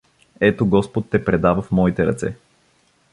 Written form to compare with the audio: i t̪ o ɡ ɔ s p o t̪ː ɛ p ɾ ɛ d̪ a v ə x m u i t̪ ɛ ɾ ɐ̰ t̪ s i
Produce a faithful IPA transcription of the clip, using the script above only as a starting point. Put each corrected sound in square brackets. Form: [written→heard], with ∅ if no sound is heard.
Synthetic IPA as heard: [i→ɛ] t̪ o ɡ ɔ s p o t̪ː ɛ p ɾ ɛ d̪ a v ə [x→f] m [u→ɔ] i t̪ ɛ ɾ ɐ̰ t̪ s [i→ɛ]